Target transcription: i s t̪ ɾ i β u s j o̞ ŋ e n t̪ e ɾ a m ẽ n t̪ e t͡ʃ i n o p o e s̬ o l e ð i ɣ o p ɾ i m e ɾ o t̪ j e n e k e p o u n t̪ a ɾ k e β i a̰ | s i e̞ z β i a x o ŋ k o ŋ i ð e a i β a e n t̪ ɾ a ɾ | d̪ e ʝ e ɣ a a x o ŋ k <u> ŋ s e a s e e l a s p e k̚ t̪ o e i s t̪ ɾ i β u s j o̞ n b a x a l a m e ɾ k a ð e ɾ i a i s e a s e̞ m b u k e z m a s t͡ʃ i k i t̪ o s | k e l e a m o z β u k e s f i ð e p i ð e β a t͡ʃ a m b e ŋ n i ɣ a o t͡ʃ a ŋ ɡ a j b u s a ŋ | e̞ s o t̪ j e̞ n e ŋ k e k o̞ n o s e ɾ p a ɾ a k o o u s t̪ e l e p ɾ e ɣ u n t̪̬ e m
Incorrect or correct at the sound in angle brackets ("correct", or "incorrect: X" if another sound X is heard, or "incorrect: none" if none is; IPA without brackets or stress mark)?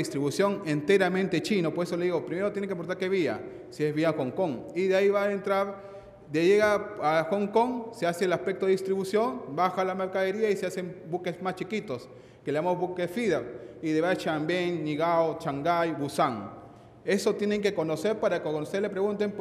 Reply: incorrect: o